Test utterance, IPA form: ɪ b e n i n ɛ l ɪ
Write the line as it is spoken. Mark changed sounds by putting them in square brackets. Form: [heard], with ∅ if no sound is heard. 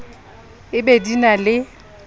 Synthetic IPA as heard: ɪ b e [d] i n [a] l ɪ